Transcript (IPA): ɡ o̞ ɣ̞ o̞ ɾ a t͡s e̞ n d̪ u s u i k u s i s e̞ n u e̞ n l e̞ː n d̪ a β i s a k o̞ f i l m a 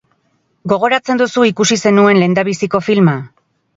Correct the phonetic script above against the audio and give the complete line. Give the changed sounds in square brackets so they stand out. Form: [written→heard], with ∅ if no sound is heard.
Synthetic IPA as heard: ɡ o̞ ɣ̞ o̞ ɾ a t͡s e̞ n d̪ u s u i k u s i s e̞ n u e̞ n l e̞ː n d̪ a β i s [a→i] k o̞ f i l m a

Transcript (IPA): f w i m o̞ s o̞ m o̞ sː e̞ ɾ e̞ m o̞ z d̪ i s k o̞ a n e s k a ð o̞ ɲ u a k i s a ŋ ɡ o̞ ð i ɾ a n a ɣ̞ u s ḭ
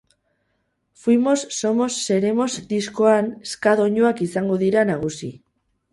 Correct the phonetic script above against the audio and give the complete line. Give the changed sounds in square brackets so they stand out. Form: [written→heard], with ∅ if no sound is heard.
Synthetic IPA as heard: f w i m o̞ [s→sː] o̞ m o̞ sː e̞ ɾ e̞ m o̞ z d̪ i s k o̞ a n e s k a ð o̞ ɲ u a k i s a ŋ ɡ o̞ ð i ɾ a n a ɣ̞ u s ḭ

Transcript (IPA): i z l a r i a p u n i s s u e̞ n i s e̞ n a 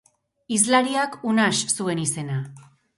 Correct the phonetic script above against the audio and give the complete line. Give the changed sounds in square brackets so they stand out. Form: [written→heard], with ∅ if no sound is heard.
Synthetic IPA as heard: i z l a [r→ɾ] i a [p→k] u n [i→a] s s u e̞ n i s e̞ n a

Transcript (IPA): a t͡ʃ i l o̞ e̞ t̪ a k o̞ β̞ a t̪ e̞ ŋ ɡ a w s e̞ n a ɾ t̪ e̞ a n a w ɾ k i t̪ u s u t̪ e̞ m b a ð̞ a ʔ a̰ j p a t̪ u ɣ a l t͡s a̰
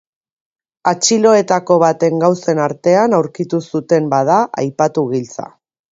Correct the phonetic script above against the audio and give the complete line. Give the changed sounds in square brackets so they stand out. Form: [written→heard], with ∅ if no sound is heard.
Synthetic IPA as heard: a t͡ʃ i l o̞ e̞ t̪ a k o̞ β̞ a t̪ e̞ ŋ ɡ a w s e̞ n a ɾ t̪ e̞ a n a w ɾ k i t̪ u s u t̪ e̞ m b a ð̞ a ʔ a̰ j p a t̪ u ɣ [a→i] l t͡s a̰

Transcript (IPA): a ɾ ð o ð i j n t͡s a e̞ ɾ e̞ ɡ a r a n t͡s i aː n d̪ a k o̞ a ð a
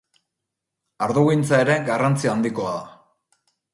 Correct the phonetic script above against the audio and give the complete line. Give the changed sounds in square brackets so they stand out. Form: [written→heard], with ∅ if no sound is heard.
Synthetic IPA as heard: a ɾ ð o [ð→ɣ] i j n t͡s a e̞ ɾ e̞ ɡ a r a n t͡s i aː n d̪ [a→i] k o̞ a ð a

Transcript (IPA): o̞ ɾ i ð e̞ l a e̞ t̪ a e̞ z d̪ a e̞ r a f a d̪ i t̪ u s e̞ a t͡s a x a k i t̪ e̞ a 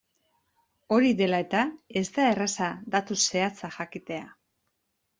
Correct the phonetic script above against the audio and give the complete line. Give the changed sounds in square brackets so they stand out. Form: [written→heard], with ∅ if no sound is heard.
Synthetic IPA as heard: o̞ ɾ i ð e̞ l a e̞ t̪ a e̞ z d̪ a e̞ r a [f→s] a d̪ [i→a] t̪ u s e̞ a t͡s a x a k i t̪ e̞ a

